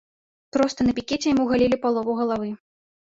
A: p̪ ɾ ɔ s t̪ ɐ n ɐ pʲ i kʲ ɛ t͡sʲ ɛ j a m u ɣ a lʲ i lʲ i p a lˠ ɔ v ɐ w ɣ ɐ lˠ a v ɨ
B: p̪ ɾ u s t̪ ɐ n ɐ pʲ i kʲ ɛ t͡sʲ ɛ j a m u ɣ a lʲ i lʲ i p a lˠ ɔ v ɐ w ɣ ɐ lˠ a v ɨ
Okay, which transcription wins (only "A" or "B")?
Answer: A